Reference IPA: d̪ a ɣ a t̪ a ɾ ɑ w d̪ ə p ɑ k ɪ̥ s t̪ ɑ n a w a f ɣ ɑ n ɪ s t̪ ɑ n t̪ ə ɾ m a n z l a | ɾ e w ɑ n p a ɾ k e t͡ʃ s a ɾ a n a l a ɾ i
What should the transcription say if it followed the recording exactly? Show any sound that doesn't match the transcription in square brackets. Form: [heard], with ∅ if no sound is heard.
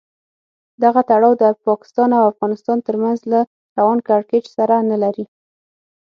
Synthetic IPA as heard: d̪ a ɣ a t̪ a [ɽ] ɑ w d̪ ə p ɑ k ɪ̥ s t̪ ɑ n a w a f ɣ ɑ n ɪ s t̪ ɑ n t̪ ə ɾ m a n z l a | ɾ [a] w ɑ n [k] a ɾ k e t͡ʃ s a ɾ a n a l a ɾ i